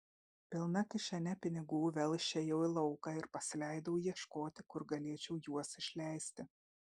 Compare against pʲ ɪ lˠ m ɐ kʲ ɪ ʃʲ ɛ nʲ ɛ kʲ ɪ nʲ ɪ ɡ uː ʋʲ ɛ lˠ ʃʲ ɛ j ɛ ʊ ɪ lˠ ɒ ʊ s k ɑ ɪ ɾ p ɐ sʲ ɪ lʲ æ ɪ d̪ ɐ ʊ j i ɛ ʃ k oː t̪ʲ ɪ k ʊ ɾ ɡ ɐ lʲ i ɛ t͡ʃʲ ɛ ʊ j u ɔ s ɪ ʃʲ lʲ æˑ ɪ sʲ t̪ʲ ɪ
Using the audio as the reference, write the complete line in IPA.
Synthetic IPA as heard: pʲ ɪ lˠ n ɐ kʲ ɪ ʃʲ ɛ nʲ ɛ pʲ ɪ nʲ ɪ ɡ uː ʋʲ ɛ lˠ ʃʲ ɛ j ɛ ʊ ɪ lˠ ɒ ʊ k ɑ ɪ ɾ p ɐ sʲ ɪ lʲ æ ɪ d̪ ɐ ʊ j i ɛ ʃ k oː t̪ʲ ɪ k ʊ ɾ ɡ ɐ lʲ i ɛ t͡ʃʲ ɛ ʊ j u ɔ s ɪ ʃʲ lʲ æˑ ɪ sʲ t̪ʲ ɪ